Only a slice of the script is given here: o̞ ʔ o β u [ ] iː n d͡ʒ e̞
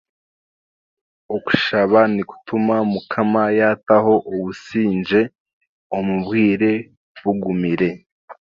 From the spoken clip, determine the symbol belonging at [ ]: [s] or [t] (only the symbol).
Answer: s